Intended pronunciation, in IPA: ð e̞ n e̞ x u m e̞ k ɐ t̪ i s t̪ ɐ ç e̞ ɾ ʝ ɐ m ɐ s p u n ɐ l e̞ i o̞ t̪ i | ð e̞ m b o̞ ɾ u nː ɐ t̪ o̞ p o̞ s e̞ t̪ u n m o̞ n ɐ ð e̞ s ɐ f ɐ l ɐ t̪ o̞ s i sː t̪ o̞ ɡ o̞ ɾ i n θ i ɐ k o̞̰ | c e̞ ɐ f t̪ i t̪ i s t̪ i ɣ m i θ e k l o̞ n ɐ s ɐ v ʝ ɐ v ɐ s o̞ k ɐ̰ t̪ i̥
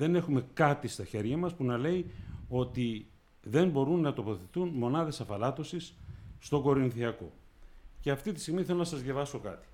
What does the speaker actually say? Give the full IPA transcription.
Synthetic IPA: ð e̞ n e̞ x u m e̞ k ɐ t̪ i s t̪ ɐ ç e̞ ɾ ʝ ɐ m ɐ s p u n ɐ l e̞ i o̞ t̪ i | ð e̞ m b o̞ ɾ u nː ɐ t̪ o̞ p o̞ θ e̞ t̪ u n m o̞ n ɐ ð e̞ s ɐ f ɐ l ɐ t̪ o̞ s i sː t̪ o̞ ɡ o̞ ɾ i n θ i ɐ k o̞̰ | c e̞ ɐ f t̪ i t̪ i s t̪ i ɣ m i θ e l o̞ n ɐ s ɐ z ʝ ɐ v ɐ s o̞ k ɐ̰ t̪ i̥